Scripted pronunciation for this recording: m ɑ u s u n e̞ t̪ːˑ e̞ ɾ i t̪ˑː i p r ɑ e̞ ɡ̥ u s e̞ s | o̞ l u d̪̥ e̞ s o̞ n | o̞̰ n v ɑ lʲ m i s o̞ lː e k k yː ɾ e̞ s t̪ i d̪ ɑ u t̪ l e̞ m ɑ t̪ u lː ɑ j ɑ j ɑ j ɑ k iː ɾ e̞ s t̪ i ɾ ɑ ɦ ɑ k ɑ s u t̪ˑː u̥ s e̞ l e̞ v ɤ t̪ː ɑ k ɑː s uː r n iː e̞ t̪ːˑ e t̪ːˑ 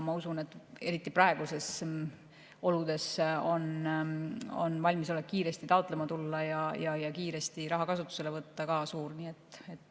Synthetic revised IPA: m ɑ u s u n e̞ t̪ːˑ e̞ ɾ i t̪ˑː i p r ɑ e̞ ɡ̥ u s e̞ s | o̞ l u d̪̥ e̞ s o̞ n | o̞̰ n v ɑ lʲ m i s o̞ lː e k k iː ɾ e̞ s t̪ i t̪ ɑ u t̪ l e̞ m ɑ t̪ u lː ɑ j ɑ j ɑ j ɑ k iː ɾ e̞ s t̪ i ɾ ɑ ɦ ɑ k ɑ s u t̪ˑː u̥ s e̞ l e̞ v ɤ t̪ː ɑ k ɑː s uː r n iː e̞ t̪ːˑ e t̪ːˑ